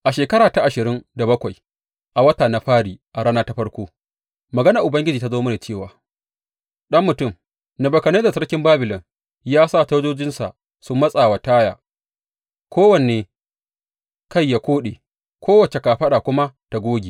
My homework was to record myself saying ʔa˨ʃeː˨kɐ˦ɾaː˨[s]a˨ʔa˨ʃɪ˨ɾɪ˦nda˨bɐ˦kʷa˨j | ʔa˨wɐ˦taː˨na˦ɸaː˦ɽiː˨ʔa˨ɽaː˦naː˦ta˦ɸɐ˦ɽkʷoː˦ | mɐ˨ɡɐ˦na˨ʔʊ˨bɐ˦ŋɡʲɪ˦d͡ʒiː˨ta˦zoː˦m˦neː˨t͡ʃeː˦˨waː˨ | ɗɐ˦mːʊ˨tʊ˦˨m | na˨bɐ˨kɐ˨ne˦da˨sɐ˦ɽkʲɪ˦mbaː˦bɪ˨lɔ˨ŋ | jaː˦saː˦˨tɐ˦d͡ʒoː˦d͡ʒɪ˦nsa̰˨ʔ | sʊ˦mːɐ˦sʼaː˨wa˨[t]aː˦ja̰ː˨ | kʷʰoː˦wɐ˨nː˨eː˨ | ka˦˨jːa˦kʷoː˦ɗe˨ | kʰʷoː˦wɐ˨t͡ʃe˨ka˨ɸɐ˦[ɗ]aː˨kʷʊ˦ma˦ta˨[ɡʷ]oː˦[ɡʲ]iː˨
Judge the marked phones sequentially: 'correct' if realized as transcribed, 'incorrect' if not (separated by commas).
incorrect, correct, correct, correct, correct